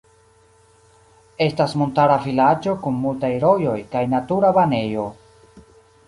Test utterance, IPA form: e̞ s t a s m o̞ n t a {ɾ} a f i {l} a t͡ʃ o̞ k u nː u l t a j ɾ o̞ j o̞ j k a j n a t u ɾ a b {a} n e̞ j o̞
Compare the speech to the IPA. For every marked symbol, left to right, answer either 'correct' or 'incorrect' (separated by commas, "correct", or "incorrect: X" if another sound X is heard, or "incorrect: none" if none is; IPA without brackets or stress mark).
correct, correct, correct